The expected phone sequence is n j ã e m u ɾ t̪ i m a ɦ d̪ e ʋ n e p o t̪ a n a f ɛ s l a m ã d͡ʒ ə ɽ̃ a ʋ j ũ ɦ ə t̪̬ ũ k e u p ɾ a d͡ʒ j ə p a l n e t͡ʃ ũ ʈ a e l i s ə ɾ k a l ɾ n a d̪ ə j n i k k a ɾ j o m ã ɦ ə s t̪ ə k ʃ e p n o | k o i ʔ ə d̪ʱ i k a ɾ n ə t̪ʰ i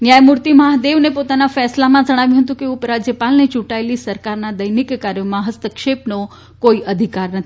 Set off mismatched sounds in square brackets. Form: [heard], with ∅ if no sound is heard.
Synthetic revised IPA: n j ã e m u ɾ t̪ i m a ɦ d̪ e ʋ n e p o t̪ a n a f ɛ s l a m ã d͡ʒ ə ɽ̃ a ʋ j ũ ɦ ə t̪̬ ũ k e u p ɾ a d͡ʒ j ə p a l n e t͡ʃ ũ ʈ a e l i s ə ɾ k a [∅] ɾ n a d̪ ə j n i k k a ɾ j o m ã ɦ ə s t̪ ə k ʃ e p n o | k o i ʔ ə d̪ʱ i k a ɾ n ə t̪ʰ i